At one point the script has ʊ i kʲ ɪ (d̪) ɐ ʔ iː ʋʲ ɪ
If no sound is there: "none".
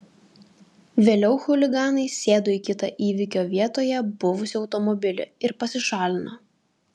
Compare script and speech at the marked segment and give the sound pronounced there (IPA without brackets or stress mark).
t̪